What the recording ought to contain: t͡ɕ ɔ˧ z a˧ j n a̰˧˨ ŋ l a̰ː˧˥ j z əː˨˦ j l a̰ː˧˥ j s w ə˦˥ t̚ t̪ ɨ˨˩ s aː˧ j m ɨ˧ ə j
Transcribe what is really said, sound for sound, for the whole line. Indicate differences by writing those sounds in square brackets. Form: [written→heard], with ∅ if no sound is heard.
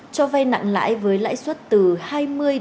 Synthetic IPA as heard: t͡ɕ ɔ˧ [z→v] a˧ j n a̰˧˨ ŋ l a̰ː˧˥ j [z→v] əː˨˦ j l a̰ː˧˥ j s w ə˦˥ t̚ t̪ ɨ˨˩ [s→h] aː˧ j m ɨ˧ ə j